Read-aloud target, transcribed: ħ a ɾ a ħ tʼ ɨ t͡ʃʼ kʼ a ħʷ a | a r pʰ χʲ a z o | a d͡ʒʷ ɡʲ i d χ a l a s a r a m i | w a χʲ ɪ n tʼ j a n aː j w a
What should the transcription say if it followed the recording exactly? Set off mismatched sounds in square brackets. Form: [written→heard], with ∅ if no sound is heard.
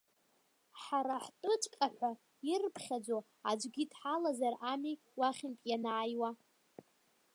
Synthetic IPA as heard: ħ a ɾ a ħ tʼ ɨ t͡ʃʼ kʼ a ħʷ a | [a→i] r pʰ χʲ a [z→d͡z] o | a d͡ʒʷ ɡʲ i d [χ→ħ] a l a [s→z] a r a m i | w a χʲ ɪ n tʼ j a n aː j w a